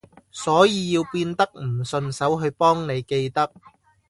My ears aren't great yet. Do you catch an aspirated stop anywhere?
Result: no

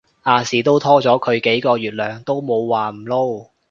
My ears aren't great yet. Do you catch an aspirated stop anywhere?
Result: yes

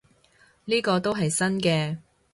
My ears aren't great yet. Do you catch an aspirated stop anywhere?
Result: no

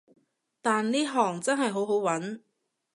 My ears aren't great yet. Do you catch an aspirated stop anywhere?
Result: no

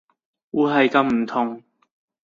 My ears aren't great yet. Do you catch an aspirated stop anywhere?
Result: yes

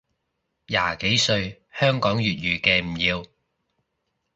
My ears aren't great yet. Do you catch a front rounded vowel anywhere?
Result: yes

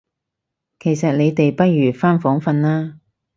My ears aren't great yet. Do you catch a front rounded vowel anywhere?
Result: yes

